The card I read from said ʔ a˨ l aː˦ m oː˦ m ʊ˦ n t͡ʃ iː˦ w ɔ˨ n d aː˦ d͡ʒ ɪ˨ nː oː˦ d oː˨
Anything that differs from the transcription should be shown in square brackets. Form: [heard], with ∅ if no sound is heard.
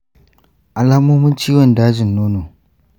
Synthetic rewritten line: ʔ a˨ l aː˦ m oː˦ m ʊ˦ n t͡ʃ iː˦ w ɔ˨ n d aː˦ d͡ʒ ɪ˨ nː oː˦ [n] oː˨